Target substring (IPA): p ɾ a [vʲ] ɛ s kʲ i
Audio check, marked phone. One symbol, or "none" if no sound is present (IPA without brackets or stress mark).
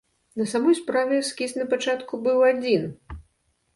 vʲ